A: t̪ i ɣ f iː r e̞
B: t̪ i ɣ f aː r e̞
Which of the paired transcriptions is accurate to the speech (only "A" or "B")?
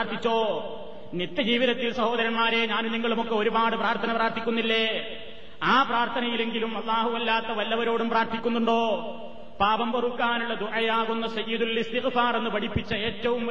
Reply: B